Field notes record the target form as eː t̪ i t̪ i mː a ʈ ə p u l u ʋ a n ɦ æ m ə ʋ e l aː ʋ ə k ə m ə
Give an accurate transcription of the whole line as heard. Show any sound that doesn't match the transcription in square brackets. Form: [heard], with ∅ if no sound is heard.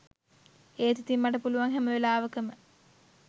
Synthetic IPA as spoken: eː t̪ i t̪ i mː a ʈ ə p u l u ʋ a [ŋ] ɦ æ m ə ʋ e l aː ʋ ə k ə m ə